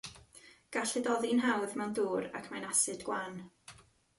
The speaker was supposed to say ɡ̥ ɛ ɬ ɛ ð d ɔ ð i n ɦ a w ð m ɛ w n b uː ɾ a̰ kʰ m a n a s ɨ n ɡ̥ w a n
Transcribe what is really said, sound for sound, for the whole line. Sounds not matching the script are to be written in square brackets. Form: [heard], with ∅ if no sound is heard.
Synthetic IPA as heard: ɡ̥ [a] ɬ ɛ [∅] d ɔ ð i n ɦ a w ð m ɛ w n [d] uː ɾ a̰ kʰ m a n a s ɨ [d] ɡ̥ w a n